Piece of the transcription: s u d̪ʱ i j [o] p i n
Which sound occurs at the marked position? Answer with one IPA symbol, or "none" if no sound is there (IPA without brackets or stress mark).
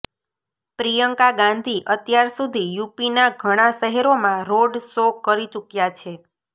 u